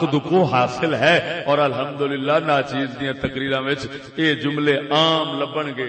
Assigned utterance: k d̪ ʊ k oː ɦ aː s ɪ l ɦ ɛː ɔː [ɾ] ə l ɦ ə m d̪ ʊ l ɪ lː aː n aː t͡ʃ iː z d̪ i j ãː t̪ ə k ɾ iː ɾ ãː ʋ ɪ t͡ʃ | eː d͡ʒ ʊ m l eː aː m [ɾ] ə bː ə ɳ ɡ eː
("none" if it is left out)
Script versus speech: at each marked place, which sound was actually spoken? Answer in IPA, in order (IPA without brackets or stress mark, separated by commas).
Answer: ɾ, l